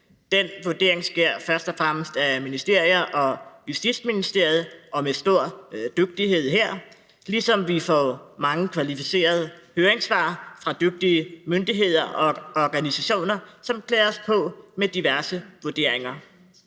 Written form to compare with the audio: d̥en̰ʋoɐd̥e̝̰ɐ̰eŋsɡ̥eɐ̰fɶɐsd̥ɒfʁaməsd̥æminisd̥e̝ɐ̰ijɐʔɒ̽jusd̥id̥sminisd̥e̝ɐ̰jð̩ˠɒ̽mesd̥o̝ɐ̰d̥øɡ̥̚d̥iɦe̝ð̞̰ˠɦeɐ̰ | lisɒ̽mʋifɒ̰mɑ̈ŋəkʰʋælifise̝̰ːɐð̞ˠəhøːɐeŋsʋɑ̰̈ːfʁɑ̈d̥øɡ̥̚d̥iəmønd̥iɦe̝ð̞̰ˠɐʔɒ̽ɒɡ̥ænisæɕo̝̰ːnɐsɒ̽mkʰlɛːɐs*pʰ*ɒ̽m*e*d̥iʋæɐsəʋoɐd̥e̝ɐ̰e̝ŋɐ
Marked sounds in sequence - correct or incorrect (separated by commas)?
correct, correct